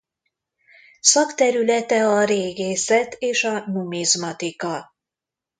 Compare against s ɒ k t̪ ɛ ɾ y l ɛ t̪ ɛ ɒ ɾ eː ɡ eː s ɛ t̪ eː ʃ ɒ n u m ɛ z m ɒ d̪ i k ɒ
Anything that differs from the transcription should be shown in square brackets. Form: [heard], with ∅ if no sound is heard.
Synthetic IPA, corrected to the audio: s ɒ k t̪ ɛ ɾ y l ɛ t̪ ɛ ɒ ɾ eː ɡ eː s ɛ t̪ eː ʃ ɒ n u m [i] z m ɒ [t̪] i k ɒ